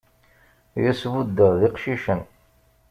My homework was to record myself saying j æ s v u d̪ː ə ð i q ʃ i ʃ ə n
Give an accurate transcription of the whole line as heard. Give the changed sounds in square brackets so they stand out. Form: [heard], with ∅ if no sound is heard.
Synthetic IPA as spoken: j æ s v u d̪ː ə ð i q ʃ i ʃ ə n